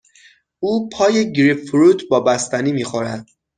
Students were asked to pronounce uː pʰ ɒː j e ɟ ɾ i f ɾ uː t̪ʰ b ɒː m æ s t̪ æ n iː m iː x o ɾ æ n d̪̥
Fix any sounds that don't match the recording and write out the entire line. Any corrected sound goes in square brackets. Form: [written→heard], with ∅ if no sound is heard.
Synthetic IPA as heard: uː pʰ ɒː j e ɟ ɾ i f ɾ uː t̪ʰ b ɒː [m→b] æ s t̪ æ n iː m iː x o ɾ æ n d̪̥